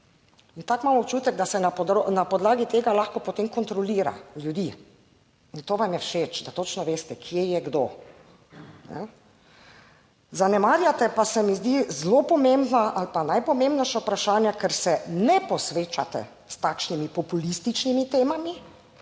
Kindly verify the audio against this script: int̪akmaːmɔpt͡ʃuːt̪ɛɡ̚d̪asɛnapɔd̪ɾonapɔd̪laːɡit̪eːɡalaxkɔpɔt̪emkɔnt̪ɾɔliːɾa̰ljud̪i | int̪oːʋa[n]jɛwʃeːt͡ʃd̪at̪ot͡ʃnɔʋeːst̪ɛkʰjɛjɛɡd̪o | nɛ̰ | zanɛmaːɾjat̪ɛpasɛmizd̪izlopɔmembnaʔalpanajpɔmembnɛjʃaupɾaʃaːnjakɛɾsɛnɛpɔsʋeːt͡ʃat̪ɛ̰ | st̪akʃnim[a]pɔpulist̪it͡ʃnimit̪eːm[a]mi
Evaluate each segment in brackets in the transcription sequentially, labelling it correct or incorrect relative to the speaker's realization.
incorrect, incorrect, correct

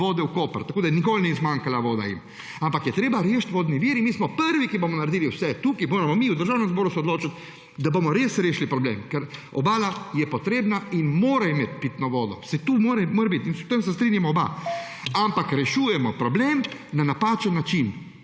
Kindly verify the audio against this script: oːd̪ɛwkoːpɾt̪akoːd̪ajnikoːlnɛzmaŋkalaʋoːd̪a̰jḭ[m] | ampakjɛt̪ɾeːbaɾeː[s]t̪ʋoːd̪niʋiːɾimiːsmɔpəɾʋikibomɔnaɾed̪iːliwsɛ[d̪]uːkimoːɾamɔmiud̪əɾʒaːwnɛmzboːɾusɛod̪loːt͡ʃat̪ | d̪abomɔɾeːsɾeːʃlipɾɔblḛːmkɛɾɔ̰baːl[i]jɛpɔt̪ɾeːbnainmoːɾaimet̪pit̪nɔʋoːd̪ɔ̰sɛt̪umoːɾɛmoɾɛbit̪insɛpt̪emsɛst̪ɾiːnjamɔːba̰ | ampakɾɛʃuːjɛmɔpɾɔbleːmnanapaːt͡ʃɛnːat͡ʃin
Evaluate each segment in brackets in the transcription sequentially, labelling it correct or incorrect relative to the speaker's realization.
correct, incorrect, incorrect, incorrect

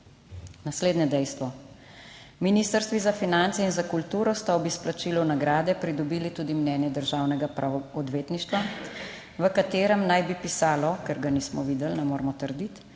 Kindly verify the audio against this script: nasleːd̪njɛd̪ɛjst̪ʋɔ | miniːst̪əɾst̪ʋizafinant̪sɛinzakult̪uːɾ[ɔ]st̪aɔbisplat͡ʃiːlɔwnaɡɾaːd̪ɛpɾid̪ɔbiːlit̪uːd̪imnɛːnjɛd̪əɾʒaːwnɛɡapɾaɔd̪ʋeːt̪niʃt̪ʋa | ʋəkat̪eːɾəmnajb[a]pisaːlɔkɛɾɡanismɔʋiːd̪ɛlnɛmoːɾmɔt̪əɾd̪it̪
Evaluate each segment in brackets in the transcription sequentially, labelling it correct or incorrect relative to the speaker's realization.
correct, incorrect

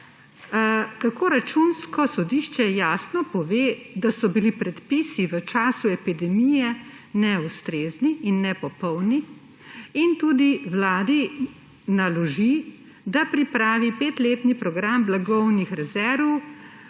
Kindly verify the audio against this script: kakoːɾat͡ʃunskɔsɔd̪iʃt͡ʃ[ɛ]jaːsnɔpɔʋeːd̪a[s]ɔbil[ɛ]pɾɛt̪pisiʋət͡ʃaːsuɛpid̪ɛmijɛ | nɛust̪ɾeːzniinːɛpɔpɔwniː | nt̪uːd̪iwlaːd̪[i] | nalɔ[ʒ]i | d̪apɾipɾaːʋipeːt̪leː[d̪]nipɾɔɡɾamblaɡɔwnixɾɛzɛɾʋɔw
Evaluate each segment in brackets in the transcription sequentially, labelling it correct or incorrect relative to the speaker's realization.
correct, correct, incorrect, correct, correct, incorrect

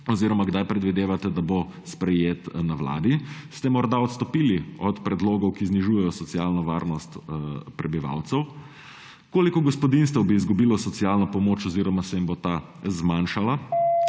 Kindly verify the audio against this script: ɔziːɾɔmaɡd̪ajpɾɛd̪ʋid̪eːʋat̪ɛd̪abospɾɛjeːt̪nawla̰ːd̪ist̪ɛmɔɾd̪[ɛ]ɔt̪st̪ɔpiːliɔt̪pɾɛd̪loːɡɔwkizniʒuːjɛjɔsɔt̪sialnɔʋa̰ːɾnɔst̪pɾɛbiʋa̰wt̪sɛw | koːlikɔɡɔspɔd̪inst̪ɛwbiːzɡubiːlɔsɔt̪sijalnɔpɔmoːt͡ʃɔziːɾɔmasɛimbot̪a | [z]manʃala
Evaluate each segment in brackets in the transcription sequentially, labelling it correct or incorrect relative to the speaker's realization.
incorrect, correct

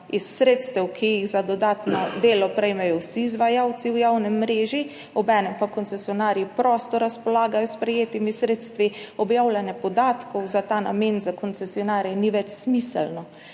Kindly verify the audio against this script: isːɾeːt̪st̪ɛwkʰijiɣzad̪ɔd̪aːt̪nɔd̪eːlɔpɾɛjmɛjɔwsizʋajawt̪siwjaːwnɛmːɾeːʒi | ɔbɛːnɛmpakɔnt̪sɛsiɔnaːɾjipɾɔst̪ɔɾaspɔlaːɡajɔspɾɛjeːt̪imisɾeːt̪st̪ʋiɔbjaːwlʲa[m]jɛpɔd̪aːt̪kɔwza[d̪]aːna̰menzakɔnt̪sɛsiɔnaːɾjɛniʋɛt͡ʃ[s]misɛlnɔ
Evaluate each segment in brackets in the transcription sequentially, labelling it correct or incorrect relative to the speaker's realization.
incorrect, incorrect, correct

